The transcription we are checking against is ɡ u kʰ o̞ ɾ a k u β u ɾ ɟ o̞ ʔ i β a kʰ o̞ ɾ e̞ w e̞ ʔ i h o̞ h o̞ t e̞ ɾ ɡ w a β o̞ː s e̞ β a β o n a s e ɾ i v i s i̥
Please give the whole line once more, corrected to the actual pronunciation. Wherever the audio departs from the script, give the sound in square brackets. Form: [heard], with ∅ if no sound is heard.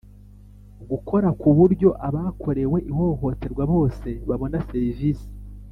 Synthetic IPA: ɡ u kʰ o̞ ɾ a k u β u ɾ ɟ o̞ ʔ [a] β a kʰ o̞ ɾ e̞ w e̞ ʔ i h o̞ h o̞ t e̞ ɾ ɡ w a β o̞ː s e̞ β a β o n a s e ɾ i v i s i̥